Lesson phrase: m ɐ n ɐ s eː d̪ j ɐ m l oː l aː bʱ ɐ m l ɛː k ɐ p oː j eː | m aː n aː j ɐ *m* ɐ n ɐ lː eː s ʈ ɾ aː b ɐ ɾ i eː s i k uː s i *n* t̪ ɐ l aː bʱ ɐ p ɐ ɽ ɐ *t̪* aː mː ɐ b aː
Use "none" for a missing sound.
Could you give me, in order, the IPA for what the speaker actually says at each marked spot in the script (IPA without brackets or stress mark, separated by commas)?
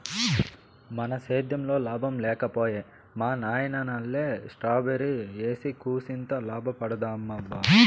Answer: n, n, d̪